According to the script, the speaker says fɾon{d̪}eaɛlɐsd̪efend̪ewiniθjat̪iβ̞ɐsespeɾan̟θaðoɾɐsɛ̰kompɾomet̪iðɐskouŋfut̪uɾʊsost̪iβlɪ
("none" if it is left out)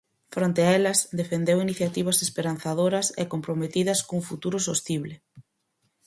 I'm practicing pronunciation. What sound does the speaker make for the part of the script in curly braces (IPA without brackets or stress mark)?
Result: t̪